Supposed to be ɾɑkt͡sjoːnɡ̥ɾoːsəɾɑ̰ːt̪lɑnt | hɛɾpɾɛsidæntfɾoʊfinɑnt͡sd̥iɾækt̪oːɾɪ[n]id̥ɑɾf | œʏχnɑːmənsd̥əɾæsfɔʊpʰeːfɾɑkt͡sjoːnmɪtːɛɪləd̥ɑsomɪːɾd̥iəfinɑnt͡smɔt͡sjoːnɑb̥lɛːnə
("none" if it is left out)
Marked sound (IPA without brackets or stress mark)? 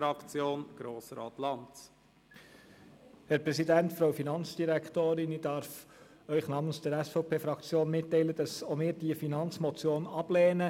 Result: n